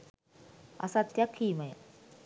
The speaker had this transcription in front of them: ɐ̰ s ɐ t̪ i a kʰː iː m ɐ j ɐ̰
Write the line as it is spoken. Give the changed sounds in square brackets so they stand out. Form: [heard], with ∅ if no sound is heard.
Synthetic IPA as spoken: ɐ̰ s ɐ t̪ [j] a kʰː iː m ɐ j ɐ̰

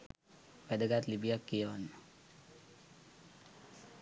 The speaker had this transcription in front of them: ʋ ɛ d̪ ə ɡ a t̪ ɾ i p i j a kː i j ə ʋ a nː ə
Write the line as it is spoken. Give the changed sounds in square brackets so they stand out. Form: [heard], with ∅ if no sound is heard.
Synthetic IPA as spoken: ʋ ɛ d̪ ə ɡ a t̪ [l] i [b] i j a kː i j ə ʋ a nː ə

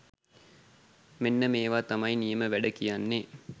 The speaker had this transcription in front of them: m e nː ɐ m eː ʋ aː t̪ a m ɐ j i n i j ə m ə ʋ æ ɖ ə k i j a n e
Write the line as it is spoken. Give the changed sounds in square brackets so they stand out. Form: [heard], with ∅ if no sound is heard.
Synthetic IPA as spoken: m e nː [ə] m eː ʋ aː t̪ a m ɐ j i n i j ə m ə ʋ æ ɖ ə k i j a [nː] e

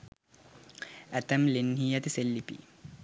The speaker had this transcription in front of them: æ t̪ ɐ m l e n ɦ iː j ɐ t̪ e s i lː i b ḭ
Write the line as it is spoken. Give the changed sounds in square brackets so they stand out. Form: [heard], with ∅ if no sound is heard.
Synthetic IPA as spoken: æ t̪ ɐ m l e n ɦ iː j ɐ t̪ [i] s [e] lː i [p] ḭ

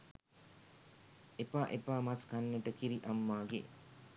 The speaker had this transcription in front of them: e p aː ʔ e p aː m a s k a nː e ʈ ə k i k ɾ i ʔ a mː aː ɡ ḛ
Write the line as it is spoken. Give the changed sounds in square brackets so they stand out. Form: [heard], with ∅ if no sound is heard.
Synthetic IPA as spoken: e p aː ʔ e p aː m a s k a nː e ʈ ə k i [∅] ɾ i ʔ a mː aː ɡ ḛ

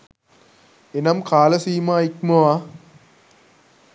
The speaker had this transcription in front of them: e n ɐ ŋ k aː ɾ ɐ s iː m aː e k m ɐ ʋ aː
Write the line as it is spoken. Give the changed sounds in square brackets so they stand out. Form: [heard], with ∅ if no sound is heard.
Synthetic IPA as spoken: e n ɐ [m] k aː [l] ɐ s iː m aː [i] k m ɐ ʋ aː

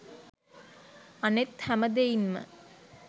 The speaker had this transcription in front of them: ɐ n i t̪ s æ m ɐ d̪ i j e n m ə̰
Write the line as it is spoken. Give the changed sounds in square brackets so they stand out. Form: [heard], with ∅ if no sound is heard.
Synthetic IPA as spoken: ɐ n [e] t̪ [h] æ m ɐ d̪ [e] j [i] n m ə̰

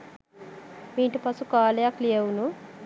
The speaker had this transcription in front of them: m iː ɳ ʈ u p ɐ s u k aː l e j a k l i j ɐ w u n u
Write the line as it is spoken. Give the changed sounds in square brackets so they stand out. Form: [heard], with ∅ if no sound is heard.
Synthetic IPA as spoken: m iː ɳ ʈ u p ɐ s u k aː l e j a k l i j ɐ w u n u

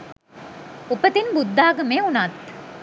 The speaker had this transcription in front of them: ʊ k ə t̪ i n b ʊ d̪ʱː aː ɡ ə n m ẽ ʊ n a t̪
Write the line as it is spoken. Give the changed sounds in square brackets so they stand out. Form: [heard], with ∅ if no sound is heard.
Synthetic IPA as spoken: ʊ [p] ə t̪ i n b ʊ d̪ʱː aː ɡ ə [∅] m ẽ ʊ n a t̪

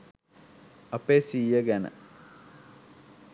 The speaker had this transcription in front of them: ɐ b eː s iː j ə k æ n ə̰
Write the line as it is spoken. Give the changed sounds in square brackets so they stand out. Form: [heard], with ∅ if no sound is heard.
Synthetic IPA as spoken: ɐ [p] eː s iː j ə [ɡ] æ n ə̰

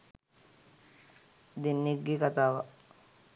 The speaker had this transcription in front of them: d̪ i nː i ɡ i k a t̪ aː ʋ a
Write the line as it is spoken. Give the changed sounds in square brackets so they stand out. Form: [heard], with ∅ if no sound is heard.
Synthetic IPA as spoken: d̪ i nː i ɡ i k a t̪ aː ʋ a

